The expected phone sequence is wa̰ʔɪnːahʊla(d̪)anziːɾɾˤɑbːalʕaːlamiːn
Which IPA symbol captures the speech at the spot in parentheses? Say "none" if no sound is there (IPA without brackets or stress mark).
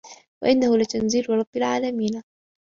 t̪